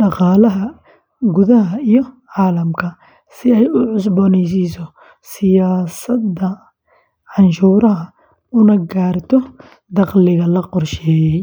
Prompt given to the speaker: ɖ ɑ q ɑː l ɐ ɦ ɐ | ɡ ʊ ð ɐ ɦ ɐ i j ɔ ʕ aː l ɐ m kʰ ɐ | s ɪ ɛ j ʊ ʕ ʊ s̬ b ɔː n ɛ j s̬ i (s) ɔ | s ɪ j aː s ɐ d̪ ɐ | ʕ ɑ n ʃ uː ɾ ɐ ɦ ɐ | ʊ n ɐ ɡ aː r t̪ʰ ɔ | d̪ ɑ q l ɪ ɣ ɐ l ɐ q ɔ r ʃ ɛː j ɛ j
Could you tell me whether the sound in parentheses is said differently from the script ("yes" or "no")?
no